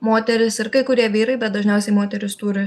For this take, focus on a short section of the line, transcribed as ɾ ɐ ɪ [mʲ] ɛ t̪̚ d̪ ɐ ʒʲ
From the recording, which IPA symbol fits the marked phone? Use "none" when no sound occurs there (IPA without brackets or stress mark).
bʲ